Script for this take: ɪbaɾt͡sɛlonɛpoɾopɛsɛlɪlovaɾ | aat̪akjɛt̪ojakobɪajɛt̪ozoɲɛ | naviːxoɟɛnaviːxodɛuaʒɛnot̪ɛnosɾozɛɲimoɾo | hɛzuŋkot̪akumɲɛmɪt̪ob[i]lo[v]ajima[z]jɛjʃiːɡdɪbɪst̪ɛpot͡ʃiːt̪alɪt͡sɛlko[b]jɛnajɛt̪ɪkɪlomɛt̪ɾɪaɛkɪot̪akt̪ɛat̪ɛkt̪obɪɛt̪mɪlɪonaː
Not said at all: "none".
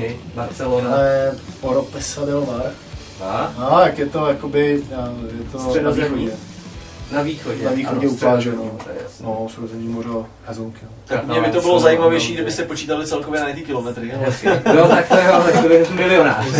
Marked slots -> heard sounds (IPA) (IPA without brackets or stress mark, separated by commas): ɪ, z, v, v